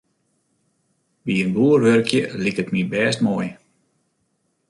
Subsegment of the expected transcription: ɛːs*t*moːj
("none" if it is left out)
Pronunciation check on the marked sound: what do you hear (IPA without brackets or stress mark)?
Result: t